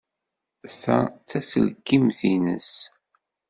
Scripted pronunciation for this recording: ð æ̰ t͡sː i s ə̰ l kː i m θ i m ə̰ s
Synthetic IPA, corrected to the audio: θ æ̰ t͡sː æ s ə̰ l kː i m θ i n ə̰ s